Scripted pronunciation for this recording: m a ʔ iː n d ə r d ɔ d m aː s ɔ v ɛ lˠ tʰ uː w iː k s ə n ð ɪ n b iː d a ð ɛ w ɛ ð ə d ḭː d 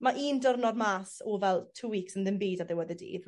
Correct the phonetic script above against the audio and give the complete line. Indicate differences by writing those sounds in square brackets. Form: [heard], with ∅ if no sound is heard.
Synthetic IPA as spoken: m a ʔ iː n d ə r [n] ɔ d m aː s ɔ v ɛ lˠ tʰ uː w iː k s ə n ð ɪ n b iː d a ð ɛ w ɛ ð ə d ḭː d